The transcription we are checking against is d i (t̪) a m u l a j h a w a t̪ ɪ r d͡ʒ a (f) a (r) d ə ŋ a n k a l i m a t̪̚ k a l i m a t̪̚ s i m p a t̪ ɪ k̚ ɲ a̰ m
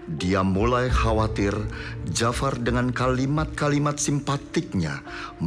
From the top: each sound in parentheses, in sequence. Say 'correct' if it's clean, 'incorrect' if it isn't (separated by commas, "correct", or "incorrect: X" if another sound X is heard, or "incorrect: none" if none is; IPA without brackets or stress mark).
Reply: incorrect: none, correct, correct